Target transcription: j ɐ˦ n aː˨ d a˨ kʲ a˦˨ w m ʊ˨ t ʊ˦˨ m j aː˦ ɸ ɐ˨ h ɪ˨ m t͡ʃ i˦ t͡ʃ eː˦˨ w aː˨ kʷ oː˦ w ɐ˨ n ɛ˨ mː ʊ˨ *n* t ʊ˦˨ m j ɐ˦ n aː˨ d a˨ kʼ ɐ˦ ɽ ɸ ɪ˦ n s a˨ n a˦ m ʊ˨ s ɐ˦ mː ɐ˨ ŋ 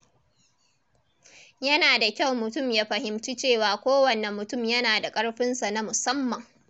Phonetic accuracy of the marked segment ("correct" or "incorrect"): incorrect